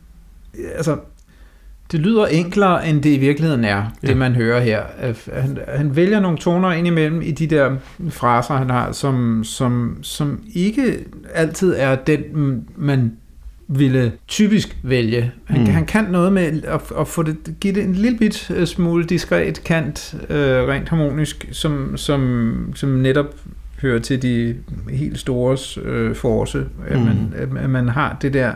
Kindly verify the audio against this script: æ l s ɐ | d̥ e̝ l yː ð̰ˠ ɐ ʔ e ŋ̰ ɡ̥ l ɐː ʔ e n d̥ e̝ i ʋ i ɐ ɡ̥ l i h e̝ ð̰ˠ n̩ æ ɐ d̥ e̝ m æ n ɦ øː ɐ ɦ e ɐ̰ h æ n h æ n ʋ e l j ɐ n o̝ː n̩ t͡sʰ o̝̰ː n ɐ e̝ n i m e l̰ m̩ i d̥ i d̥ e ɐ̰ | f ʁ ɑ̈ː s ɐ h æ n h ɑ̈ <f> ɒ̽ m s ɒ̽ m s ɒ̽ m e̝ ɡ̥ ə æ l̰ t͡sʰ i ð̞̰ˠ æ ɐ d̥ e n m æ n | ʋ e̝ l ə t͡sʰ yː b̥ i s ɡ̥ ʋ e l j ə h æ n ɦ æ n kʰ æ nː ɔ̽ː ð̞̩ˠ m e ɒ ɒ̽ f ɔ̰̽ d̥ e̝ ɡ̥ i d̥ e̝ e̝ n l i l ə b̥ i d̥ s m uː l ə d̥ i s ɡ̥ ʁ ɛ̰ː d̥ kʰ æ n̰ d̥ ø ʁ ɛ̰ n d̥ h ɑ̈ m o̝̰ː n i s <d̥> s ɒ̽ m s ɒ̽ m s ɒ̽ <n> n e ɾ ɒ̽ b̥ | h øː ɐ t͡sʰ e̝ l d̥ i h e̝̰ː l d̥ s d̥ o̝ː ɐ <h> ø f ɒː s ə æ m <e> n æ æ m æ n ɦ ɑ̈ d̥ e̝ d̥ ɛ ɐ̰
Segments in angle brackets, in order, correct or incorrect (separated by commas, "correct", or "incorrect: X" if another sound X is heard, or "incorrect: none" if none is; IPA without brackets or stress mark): incorrect: s, incorrect: ɡ̥, incorrect: m, incorrect: s, incorrect: æ